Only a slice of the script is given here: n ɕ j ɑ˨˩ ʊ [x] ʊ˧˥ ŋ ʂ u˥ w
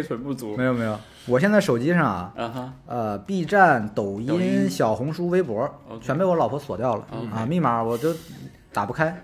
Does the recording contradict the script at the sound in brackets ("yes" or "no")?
no